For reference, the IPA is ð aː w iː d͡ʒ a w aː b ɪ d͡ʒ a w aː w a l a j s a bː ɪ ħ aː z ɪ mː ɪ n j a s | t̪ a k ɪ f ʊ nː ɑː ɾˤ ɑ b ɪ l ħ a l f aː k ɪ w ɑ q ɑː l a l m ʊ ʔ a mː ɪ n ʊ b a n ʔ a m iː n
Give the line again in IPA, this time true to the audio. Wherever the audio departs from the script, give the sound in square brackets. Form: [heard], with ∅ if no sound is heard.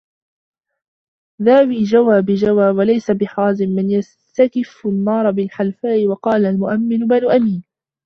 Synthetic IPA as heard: ð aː w iː d͡ʒ a w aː b ɪ d͡ʒ a w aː w a l a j s a [b] ɪ ħ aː z ɪ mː ɪ n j a s | t̪ a k ɪ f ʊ nː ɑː ɾˤ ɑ b ɪ l ħ a l f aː [ʔ] ɪ w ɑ q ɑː l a l m ʊ ʔ a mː ɪ n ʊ b a n ʔ a m iː n